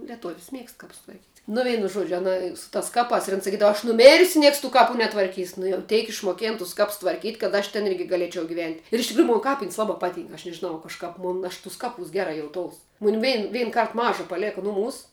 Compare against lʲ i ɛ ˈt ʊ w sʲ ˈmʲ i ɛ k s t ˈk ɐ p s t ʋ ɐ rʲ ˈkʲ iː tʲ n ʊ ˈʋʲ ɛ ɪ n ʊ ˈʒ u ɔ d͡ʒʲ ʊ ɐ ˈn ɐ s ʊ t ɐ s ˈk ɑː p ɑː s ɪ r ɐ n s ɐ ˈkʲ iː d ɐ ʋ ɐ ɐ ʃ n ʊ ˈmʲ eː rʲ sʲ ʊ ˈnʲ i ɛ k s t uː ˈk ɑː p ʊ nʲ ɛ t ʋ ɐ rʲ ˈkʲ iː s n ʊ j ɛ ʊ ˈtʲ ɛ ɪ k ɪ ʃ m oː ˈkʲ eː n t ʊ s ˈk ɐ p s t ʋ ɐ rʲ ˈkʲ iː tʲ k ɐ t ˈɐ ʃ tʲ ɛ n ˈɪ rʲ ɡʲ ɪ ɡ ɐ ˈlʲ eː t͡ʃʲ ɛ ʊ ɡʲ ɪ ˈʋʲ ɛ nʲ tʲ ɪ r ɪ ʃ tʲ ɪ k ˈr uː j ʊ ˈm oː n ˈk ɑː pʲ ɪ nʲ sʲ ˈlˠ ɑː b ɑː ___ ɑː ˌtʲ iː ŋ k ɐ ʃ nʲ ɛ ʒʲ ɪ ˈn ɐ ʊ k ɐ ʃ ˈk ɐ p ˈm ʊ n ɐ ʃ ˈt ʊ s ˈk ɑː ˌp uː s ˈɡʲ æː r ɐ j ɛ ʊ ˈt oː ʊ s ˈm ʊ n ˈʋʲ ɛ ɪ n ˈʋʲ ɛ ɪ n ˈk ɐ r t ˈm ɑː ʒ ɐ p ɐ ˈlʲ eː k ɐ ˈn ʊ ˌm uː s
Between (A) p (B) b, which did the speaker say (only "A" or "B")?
A